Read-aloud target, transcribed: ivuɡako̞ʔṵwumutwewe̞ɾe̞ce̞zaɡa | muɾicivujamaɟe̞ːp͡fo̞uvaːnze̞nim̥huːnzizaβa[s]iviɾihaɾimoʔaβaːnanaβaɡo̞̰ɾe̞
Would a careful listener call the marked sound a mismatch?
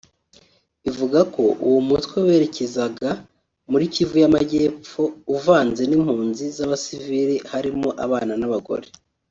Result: no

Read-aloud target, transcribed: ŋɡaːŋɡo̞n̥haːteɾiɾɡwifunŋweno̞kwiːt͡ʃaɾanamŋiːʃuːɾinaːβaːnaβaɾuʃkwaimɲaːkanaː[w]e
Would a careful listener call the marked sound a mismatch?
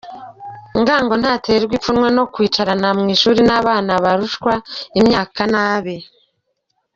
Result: yes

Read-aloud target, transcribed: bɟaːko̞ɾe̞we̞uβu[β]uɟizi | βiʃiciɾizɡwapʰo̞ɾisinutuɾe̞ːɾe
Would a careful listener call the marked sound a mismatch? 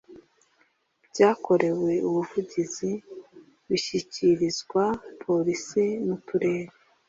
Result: yes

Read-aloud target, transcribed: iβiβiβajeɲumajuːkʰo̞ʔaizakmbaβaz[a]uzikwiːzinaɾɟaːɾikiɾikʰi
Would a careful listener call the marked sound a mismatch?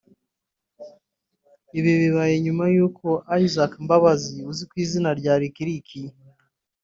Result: yes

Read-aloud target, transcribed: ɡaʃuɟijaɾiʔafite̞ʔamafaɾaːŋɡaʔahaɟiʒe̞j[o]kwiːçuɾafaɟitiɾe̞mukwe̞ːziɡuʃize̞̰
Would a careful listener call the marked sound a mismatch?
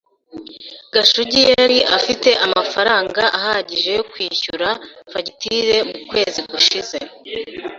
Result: no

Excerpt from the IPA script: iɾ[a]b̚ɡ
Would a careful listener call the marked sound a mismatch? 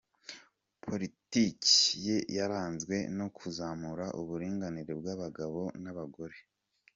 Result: yes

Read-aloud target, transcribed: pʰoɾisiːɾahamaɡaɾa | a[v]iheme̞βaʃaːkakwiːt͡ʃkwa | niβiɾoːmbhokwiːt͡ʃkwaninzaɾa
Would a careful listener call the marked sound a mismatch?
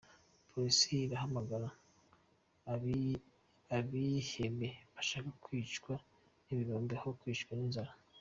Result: yes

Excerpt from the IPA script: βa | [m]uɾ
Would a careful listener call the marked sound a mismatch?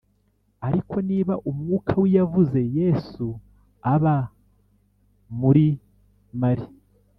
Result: no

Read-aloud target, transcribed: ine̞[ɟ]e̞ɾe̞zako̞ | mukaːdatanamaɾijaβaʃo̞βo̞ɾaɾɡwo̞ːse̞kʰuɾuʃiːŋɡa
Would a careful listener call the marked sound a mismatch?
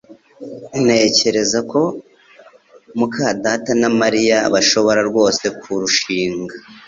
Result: yes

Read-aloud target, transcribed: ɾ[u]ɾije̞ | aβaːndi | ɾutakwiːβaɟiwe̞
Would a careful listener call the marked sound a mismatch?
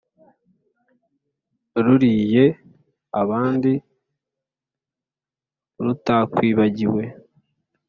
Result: no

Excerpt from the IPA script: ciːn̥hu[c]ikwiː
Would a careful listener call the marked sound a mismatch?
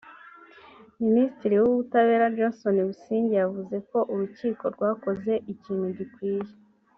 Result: yes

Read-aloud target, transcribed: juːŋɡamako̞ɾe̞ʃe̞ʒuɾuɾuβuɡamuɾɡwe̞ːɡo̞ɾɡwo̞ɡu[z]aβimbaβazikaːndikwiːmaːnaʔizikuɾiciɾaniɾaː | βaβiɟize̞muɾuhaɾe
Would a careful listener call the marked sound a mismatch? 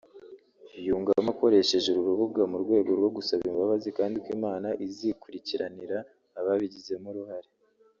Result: yes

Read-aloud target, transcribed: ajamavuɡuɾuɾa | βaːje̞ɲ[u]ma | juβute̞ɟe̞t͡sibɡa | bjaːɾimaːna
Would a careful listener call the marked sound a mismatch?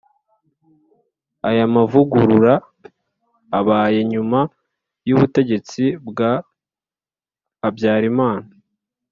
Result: no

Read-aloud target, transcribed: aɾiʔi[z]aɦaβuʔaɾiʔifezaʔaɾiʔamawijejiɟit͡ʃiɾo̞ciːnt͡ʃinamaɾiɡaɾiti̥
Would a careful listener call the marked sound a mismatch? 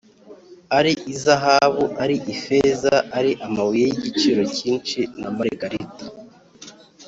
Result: no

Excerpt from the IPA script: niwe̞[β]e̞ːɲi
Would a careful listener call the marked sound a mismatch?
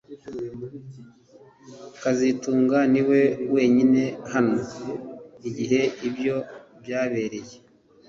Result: yes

